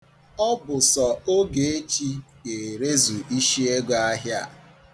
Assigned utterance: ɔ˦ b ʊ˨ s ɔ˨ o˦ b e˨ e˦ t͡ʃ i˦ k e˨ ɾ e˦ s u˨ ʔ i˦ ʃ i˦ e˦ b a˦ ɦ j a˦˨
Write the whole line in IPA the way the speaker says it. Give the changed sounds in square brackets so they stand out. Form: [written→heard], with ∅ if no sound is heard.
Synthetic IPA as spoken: ɔ˦ b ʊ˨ s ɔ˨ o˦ [b→ɡ] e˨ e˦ t͡ʃ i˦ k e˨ ɾ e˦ [s→z] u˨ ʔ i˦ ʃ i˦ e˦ [b→ɡ] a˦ ɦ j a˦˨